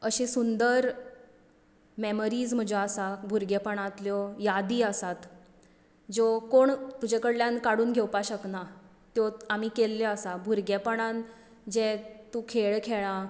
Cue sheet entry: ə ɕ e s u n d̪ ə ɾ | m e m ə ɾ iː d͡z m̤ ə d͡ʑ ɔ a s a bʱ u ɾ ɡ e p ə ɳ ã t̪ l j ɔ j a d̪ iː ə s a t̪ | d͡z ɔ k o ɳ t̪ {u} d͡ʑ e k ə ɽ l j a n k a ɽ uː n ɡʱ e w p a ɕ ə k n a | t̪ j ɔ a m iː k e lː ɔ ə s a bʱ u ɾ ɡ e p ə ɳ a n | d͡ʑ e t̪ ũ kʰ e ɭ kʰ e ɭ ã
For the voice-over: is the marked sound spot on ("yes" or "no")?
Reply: yes